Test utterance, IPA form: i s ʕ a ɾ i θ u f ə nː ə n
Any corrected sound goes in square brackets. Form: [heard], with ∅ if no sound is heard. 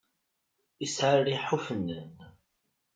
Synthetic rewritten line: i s ʕ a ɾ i [ħ] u f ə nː ə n